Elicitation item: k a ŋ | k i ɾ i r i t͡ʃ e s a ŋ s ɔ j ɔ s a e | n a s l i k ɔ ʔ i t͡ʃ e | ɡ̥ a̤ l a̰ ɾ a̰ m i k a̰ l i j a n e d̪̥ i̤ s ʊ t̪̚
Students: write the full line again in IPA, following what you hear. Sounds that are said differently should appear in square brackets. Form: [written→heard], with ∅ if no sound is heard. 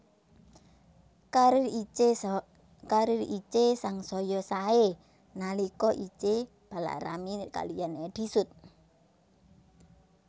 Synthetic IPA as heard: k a [ŋ→∅] | k [i→a] ɾ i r i t͡ʃ e s a ŋ s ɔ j ɔ s a e | n a [s→∅] l i k ɔ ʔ i t͡ʃ e | [ɡ̥→b̥] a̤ l a̰ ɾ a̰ m i k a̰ l i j a n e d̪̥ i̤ s ʊ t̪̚